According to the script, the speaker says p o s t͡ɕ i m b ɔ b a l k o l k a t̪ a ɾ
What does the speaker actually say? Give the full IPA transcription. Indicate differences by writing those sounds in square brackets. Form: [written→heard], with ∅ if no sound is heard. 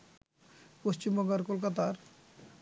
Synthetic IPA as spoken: p o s t͡ɕ i m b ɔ [b→ɡ] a [l→ɾ] k o l k a t̪ a ɾ